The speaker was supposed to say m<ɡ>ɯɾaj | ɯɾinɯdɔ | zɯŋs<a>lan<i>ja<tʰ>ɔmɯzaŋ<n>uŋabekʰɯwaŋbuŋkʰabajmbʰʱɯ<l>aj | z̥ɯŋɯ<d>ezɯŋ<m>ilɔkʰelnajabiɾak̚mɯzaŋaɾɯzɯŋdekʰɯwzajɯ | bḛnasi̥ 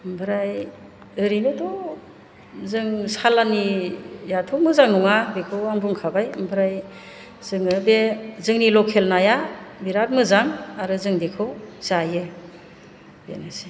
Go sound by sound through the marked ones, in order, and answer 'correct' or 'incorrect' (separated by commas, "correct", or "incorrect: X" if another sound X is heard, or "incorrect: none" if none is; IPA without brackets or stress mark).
incorrect: b, correct, correct, correct, correct, incorrect: ɾ, incorrect: b, incorrect: n